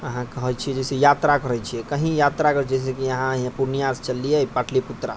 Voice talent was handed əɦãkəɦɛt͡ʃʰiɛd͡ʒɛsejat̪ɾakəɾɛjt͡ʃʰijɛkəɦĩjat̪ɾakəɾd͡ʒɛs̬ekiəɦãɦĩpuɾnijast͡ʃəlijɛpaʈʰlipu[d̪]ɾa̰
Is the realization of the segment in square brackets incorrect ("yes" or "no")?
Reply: yes